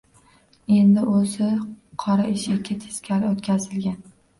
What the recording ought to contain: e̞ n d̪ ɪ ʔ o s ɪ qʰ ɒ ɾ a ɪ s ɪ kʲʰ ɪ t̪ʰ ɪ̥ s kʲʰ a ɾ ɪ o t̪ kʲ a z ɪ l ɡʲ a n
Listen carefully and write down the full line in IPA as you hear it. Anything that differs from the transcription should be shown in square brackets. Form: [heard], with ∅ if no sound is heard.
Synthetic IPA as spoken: e̞ n d̪ ɪ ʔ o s ɪ qʰ ɒ ɾ a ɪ [ʃ] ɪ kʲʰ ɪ t̪ʰ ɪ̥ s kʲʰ a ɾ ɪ o t̪ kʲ a z ɪ l ɡʲ a n